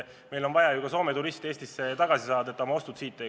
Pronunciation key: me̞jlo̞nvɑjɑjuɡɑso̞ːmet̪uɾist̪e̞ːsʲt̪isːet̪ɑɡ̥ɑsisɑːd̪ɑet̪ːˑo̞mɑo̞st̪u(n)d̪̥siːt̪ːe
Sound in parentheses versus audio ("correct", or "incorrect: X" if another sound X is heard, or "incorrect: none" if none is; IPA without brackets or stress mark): incorrect: none